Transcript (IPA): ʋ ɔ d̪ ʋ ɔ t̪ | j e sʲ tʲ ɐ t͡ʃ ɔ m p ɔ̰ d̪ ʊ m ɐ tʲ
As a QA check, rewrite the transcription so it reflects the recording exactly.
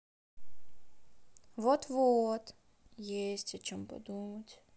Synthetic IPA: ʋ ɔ t̪ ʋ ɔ t̪ | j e sʲ tʲ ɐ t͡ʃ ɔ m p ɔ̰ d̪ u m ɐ tʲ

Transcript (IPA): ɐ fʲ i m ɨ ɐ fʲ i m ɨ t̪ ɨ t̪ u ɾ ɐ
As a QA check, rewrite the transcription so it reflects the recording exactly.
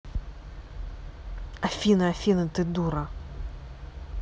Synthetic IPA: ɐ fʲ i n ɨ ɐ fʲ i n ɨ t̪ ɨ d̪ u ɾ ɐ

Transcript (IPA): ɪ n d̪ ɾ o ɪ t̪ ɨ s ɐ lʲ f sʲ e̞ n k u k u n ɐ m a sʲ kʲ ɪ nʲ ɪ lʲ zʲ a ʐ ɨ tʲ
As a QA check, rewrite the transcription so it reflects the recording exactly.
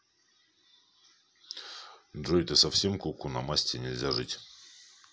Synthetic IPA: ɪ n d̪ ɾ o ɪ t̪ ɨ s ɐ f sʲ e̞ m k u k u n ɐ m a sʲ tʲ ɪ nʲ ɪ lʲ zʲ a ʐ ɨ tʲ

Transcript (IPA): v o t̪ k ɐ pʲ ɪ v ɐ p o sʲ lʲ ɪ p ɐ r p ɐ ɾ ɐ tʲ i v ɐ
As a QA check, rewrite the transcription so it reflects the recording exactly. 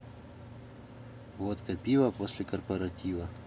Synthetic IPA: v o t̪ k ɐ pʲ i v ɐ p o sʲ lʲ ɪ k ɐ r p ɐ ɾ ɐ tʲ i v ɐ

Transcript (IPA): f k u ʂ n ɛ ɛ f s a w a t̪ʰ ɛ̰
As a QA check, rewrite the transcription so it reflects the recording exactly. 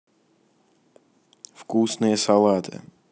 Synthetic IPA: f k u s n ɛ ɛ s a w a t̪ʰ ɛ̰

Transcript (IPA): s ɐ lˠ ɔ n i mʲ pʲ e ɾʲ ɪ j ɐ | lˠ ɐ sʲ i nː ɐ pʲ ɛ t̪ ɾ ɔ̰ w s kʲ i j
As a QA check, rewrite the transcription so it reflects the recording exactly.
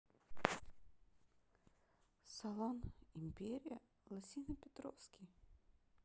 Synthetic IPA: s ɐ lˠ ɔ n i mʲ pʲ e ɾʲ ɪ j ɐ | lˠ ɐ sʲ i n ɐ pʲ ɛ t̪ ɾ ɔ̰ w s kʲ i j

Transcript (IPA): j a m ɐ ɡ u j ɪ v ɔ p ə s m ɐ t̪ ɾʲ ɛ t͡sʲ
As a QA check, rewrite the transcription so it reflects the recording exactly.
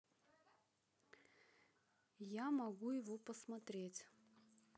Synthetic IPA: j a m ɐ ɡ u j ɪ v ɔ p ə s m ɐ t̪ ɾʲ e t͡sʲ

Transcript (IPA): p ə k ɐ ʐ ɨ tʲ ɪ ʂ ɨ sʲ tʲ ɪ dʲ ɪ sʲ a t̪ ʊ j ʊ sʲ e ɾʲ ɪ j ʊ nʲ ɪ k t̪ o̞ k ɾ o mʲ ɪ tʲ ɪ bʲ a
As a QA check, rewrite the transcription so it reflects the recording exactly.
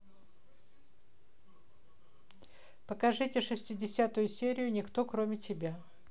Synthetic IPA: p ə k ɐ ʐ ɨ tʲ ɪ ʂ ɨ sʲ tʲ ɪ dʲ ɪ sʲ a t̪ ʊ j ʊ sʲ e ɾʲ ɪ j ʊ nʲ ɪ k t̪ o̞ k ɾ o mʲ ɪ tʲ ɪ bʲ a

